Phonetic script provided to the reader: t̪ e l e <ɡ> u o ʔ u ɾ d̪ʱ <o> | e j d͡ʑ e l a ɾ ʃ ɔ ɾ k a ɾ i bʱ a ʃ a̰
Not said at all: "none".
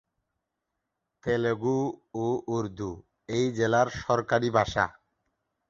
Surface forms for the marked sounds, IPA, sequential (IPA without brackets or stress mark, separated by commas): ɡ, u